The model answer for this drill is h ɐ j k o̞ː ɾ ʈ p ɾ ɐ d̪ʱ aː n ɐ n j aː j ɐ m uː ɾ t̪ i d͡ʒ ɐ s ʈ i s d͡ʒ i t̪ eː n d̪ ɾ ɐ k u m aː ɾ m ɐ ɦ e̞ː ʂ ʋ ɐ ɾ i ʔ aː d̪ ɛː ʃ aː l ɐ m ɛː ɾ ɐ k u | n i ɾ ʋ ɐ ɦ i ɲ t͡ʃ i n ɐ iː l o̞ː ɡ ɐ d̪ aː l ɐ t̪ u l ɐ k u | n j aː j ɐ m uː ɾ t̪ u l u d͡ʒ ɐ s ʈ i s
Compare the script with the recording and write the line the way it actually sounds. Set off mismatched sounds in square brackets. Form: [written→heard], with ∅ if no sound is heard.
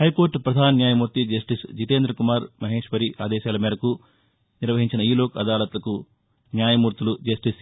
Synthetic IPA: h ɐ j k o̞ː ɾ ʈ p ɾ ɐ d̪ʱ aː n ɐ n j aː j ɐ m uː ɾ t̪ i d͡ʒ ɐ s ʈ i s d͡ʒ i t̪ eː n d̪ ɾ ɐ k u m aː ɾ m ɐ ɦ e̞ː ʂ ʋ ɐ ɾ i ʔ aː d̪ ɛː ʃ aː l ɐ m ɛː ɾ ɐ k u | n i ɾ ʋ ɐ ɦ i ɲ t͡ʃ i n ɐ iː l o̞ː [ɡ→k] ɐ d̪ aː l ɐ t̪ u l ɐ k u | n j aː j ɐ m uː ɾ t̪ u l u d͡ʒ ɐ s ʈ i s